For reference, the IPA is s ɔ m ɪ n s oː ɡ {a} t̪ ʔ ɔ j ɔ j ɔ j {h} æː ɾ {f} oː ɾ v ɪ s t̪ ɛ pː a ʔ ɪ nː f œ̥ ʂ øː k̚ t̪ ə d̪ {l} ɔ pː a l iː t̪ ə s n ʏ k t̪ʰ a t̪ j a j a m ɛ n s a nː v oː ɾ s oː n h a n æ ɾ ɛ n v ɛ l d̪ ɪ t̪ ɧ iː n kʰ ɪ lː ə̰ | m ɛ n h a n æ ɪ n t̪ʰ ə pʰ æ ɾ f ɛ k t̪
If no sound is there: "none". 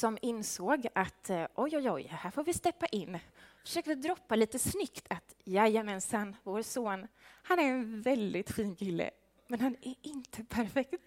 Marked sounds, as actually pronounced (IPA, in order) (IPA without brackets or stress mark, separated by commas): a, h, f, ɾ